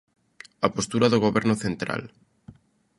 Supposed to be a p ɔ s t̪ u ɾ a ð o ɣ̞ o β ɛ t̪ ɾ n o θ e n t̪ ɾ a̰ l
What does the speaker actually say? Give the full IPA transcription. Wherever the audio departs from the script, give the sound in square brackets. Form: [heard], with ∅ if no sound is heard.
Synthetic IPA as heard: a p [o] s t̪ u ɾ a ð o ɣ̞ o β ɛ [∅] ɾ n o θ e n t̪ ɾ a̰ l